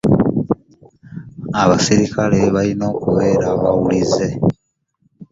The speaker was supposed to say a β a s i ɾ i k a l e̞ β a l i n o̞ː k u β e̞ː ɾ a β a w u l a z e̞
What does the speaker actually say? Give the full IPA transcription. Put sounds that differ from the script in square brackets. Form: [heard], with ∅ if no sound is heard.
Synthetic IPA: a β a s i ɾ i k a l e̞ β a l i n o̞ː k u β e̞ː ɾ a β a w u l [i] z e̞

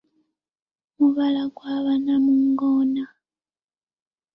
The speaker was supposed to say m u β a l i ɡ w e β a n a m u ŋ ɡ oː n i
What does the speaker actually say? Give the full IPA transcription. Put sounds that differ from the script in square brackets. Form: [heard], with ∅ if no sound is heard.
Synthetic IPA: m u β a l [a] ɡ w [a] β a n a m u ŋ ɡ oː n [a]

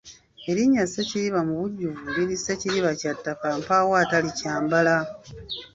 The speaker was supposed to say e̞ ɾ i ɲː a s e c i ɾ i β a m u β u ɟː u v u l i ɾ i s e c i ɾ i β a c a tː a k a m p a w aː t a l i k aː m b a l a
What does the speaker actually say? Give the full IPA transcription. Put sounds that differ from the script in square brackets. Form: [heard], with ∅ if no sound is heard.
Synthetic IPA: e̞ ɾ i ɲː a s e c i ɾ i β a m u β u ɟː u v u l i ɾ i s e c i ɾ i β a c a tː a k a m p a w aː t a l i [c] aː m b a l a

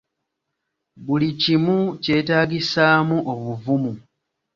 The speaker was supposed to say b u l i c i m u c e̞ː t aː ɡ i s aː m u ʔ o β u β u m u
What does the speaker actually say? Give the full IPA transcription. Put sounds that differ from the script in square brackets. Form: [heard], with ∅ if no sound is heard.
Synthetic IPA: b u l i c i m u c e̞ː t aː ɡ i s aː m u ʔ o β u [v] u m u

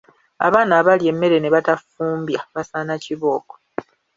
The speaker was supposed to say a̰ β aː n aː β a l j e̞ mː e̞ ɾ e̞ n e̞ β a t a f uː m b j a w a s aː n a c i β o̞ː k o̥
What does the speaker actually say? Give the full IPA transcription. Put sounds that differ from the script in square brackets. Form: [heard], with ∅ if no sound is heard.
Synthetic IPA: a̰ β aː n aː β a l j e̞ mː e̞ ɾ e̞ n e̞ β a t a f uː m b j a [β] a s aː n a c i β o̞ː k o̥

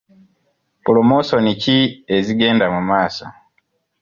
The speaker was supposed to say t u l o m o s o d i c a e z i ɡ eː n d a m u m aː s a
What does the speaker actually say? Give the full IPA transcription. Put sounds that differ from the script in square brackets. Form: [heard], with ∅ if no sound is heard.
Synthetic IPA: [p] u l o m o s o [n] i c [i] e z i ɡ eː n d a m u m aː s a

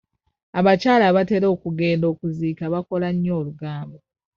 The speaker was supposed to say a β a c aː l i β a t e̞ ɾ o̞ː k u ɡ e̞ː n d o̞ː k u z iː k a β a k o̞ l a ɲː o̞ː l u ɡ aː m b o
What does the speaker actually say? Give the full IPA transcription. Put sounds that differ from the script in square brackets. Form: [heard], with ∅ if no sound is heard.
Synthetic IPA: a β a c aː l [a] β a t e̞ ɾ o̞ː k u ɡ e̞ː n d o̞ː k u z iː k a β a k o̞ l a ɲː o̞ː l u ɡ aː m b o

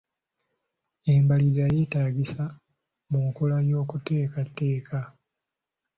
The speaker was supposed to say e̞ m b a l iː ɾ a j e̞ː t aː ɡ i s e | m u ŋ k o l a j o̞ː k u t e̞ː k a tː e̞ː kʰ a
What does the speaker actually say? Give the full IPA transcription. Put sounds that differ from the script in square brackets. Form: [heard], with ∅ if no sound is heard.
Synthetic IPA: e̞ m b a l [i] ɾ a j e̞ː t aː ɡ i s [a] | m u ŋ k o l a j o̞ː k u t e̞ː k a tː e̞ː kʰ a

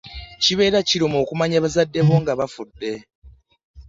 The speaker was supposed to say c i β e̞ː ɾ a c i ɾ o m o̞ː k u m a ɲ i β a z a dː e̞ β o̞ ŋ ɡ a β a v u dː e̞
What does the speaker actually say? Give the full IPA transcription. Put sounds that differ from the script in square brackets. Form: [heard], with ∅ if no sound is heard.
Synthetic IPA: c i β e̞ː ɾ a c i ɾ o m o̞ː k u m a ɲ [a] β a z a dː e̞ β o̞ ŋ ɡ a β a [f] u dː e̞

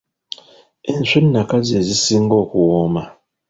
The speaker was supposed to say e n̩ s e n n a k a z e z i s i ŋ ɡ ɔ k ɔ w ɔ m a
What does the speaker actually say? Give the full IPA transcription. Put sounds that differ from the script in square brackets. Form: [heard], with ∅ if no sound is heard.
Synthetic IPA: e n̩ s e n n a k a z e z i s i ŋ ɡ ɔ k [u] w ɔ m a

